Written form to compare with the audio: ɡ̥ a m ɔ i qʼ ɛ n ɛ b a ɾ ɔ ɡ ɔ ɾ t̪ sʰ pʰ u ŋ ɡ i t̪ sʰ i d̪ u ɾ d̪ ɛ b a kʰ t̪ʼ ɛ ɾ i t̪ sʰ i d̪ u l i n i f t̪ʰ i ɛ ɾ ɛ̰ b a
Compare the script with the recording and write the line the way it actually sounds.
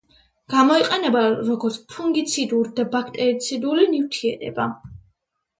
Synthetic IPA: ɡ̥ a m ɔ i qʼ ɛ n ɛ b a ɾ ɔ ɡ ɔ ɾ t̪ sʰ pʰ u ŋ ɡ i t̪ sʰ i d̪ u ɾ d̪ a b a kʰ t̪ʼ ɛ ɾ i t̪ sʰ i d̪ u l i n i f t̪ʰ i ɛ ɾ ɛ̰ b a